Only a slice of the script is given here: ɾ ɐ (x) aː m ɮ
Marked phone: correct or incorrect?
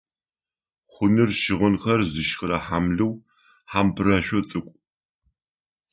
incorrect